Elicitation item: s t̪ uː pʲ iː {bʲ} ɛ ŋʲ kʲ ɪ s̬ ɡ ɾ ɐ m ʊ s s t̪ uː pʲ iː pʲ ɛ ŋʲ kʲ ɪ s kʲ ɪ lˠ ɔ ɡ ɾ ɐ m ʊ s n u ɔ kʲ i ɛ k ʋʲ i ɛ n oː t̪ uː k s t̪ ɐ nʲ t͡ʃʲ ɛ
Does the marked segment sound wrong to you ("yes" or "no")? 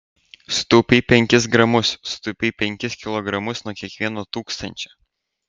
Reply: yes